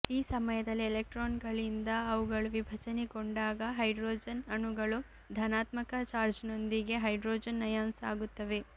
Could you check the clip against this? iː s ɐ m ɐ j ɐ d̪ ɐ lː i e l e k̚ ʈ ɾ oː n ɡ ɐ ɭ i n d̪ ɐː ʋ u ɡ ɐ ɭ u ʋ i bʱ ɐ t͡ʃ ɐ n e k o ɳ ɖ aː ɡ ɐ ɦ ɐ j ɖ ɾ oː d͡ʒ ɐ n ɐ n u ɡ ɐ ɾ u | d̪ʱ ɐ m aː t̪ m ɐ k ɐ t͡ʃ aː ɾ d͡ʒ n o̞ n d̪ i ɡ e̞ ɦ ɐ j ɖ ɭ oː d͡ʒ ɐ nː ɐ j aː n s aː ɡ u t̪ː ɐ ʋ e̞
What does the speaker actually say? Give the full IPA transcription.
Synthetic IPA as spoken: iː s ɐ m ɐ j ɐ d̪ ɐ lː i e l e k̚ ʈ ɾ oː n ɡ ɐ ɭ i n d̪ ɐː ʋ u ɡ ɐ ɭ u ʋ i bʱ ɐ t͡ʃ ɐ n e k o ɳ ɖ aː ɡ ɐ ɦ ɐ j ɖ ɾ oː d͡ʒ ɐ n ɐ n u ɡ ɐ ɭ u | d̪ʱ ɐ n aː t̪ m ɐ k ɐ t͡ʃ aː ɾ d͡ʒ n o̞ n d̪ i ɡ e̞ ɦ ɐ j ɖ ɾ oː d͡ʒ ɐ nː ɐ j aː n s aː ɡ u t̪ː ɐ ʋ e̞